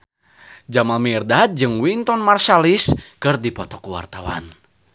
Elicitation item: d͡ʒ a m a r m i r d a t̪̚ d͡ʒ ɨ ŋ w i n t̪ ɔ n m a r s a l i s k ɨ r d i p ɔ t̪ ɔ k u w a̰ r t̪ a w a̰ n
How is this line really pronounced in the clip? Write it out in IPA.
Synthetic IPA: d͡ʒ a m a m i r d a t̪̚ d͡ʒ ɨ ŋ w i n t̪ ɔ n m a r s a l i s k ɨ r d i p ɔ t̪ ɔ k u w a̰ r t̪ a w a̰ n